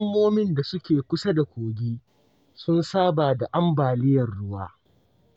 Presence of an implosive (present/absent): absent